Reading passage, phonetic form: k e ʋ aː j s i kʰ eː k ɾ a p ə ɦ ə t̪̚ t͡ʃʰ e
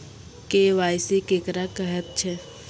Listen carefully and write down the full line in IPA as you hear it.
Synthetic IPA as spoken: k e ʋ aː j s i k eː k ɾ a k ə ɦ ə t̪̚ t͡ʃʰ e